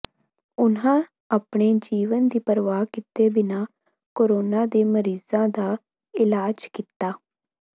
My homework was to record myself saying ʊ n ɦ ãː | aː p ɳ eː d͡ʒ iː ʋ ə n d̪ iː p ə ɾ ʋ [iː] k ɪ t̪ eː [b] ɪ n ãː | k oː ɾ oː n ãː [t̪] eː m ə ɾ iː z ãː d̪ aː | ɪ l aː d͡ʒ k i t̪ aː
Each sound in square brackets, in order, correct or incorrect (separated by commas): incorrect, correct, incorrect